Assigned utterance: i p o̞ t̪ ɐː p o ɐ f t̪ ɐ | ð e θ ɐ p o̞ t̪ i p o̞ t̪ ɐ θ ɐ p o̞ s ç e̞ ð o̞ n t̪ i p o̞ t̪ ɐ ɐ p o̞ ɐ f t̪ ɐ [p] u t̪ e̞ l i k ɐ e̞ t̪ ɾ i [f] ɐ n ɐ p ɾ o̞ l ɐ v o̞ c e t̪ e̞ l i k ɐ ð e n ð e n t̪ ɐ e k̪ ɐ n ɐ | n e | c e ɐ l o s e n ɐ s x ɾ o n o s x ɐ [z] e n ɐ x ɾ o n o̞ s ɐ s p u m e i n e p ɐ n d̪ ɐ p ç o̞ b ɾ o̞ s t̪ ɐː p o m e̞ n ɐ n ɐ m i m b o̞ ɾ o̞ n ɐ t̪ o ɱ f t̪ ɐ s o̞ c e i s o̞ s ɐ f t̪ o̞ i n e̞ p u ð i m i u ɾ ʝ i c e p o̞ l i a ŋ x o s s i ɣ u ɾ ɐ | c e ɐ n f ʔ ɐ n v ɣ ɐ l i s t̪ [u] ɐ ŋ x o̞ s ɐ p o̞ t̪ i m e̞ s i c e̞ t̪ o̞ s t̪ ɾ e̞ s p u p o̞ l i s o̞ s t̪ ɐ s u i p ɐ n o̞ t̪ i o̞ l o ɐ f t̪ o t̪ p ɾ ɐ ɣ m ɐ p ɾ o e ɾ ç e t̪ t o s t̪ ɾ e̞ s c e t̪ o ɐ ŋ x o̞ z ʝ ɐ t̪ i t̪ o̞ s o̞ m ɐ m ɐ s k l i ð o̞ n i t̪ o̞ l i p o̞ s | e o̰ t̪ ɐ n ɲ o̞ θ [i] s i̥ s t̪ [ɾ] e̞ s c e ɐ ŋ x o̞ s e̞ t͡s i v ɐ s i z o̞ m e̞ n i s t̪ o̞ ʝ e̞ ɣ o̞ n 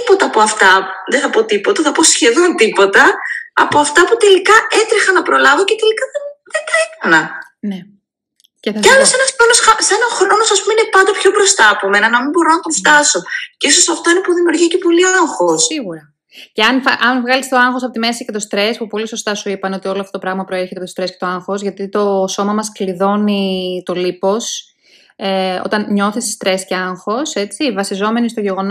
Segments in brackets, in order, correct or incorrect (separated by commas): correct, incorrect, incorrect, incorrect, correct, correct